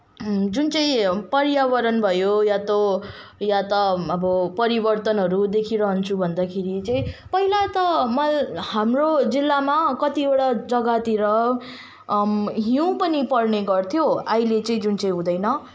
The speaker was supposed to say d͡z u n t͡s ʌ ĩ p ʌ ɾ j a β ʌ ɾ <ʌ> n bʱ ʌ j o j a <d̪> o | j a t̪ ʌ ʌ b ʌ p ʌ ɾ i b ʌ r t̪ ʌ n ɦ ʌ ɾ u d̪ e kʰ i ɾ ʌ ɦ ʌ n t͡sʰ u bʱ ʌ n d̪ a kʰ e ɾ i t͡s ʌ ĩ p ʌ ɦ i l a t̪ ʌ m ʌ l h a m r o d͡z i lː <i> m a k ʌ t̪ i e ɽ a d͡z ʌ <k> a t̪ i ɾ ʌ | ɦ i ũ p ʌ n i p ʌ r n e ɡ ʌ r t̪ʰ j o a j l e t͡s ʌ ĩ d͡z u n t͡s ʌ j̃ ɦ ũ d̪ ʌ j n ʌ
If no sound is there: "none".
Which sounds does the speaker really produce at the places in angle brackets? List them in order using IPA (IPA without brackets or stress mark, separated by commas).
ʌ, t̪, a, ɡ